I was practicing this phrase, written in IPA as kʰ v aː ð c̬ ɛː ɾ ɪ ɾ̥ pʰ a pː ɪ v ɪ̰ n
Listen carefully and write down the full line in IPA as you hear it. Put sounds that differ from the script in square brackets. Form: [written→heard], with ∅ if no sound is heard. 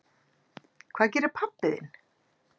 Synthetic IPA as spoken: kʰ v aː ð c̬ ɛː ɾ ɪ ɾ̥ pʰ a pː ɪ [v→ð] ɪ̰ n